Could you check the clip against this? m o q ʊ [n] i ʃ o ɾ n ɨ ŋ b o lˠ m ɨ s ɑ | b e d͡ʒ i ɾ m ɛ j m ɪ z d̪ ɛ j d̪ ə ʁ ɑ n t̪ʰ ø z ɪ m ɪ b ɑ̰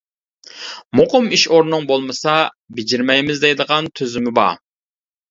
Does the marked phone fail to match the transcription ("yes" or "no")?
yes